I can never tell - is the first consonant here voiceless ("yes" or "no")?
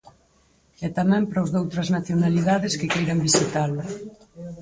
yes